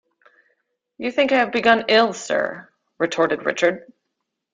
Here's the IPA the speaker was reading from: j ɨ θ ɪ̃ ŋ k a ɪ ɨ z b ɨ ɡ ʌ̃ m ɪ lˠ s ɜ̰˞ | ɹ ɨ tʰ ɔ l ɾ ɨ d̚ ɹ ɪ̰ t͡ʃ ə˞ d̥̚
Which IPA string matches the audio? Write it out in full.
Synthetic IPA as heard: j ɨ θ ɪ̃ ŋ k a ɪ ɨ v b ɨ ɡ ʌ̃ n ɪ lˠ s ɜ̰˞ | ɹ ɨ tʰ ɔ ɹ ɾ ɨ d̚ ɹ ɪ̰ t͡ʃ ə˞ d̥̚